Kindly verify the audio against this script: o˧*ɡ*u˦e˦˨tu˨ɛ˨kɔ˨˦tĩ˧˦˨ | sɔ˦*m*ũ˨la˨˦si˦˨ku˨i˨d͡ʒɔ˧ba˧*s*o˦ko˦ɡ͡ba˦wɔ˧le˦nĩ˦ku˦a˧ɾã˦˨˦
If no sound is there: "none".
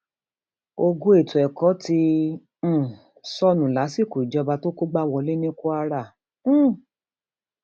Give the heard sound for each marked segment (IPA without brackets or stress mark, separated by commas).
ɡ, n, t